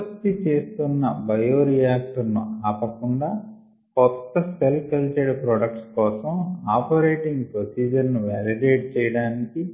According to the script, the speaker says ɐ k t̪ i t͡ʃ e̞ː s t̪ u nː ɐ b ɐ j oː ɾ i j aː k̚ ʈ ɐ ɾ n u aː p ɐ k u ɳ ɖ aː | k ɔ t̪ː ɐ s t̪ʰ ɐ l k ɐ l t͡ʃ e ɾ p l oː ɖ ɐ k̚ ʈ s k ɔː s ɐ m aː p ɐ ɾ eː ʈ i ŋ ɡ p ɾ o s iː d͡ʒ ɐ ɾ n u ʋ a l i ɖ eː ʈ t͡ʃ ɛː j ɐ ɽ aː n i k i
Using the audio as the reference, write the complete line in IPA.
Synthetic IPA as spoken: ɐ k t̪ i t͡ʃ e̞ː s t̪ u nː ɐ b ɐ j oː ɾ i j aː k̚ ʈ ɐ ɾ n u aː p ɐ k u ɳ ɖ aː | k ɔ t̪ː ɐ s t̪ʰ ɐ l k ɐ l t͡ʃ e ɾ p ɾ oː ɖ ɐ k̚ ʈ s k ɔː s ɐ m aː p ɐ ɾ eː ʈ i ŋ ɡ p ɾ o s iː d͡ʒ ɐ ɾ n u ʋ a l i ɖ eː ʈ t͡ʃ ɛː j ɐ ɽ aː n i k i